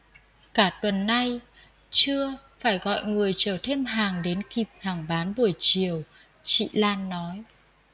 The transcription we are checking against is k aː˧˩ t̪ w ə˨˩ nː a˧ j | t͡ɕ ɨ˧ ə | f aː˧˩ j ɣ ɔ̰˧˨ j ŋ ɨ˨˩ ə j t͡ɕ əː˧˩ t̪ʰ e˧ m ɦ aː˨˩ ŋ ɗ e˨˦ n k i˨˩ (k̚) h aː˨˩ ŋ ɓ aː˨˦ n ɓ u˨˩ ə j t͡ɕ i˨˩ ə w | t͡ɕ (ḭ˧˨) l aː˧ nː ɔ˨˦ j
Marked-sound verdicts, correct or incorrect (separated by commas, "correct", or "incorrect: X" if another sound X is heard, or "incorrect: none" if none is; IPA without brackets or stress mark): incorrect: p̚, correct